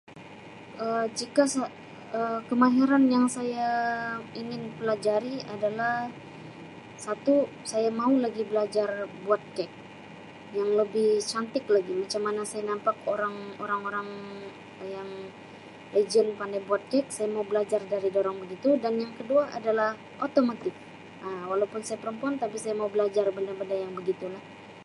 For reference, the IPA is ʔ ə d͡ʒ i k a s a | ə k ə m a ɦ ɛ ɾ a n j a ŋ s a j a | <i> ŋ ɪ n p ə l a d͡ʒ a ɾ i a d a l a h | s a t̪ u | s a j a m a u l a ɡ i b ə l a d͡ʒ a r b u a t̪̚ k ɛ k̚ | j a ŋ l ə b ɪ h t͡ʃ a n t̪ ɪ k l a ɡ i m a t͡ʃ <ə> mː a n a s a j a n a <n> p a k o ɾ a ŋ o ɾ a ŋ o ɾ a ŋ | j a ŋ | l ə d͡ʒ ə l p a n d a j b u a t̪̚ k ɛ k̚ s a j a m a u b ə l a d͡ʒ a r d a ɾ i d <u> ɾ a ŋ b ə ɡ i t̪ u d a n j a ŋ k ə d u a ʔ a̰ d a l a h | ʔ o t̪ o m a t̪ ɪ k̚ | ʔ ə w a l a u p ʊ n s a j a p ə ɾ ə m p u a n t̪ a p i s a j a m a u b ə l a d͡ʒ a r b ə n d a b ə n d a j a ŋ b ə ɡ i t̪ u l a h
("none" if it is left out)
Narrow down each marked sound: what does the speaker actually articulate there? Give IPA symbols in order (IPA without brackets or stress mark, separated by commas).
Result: i, a, m, o